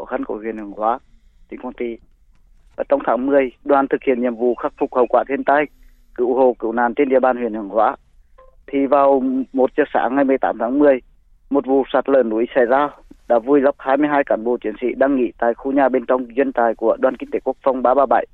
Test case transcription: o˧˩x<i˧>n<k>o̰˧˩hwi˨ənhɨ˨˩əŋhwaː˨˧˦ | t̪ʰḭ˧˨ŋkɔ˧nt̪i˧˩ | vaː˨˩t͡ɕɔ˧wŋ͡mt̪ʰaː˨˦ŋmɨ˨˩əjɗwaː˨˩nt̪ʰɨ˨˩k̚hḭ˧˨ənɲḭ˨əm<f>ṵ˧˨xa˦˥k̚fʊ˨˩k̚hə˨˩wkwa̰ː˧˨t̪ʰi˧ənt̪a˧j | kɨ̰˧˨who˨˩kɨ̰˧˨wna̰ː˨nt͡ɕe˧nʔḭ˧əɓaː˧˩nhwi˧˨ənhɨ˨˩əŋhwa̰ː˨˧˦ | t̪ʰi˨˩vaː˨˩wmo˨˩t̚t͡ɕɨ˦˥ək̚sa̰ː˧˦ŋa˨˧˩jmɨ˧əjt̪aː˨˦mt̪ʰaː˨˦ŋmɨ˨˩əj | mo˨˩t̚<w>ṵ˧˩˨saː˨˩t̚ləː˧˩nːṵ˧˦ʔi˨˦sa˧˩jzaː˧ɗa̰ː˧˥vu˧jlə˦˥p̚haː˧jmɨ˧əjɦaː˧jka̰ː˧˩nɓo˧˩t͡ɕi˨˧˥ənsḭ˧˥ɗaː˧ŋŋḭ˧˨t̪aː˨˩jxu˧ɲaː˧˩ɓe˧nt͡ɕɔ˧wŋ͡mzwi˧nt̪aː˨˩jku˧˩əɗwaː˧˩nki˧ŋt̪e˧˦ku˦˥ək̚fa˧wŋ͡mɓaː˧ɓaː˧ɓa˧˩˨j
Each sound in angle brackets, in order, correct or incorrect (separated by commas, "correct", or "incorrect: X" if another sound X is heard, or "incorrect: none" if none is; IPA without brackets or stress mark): incorrect: a˧, correct, incorrect: v, incorrect: v